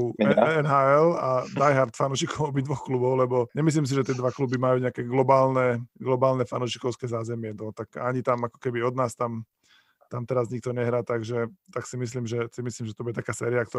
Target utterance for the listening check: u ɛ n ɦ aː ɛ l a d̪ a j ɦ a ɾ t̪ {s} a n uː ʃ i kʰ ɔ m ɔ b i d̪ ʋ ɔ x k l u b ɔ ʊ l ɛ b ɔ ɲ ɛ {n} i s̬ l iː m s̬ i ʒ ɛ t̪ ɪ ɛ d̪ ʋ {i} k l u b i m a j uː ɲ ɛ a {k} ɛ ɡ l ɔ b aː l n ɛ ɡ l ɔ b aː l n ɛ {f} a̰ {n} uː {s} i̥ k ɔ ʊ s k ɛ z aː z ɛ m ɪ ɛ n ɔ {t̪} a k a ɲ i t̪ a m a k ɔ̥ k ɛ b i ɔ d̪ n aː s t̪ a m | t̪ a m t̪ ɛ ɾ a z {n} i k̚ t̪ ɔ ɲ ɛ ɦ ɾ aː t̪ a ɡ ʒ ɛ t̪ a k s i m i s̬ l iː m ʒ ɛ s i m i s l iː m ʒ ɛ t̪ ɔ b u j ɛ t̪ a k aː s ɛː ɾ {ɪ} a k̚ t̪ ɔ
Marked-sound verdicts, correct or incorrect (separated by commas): incorrect, incorrect, incorrect, correct, correct, correct, incorrect, correct, incorrect, incorrect